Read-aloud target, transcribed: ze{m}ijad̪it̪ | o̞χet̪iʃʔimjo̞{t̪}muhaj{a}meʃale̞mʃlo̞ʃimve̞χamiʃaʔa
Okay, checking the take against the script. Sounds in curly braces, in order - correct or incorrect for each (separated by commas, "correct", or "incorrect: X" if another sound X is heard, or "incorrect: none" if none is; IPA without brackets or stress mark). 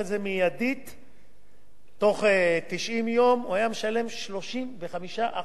correct, incorrect: none, correct